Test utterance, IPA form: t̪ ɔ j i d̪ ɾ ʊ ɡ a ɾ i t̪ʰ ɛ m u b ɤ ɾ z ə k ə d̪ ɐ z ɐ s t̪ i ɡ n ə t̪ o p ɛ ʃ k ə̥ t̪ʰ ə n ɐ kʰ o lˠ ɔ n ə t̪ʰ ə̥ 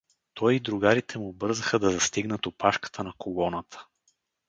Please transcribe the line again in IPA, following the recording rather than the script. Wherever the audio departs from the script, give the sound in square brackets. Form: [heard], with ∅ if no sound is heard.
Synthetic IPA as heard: t̪ ɔ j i d̪ ɾ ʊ ɡ a ɾ i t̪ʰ ɛ m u b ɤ ɾ z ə [x] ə d̪ ɐ z ɐ s t̪ i ɡ n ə t̪ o p [a] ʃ k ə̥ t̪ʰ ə n ɐ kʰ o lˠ ɔ n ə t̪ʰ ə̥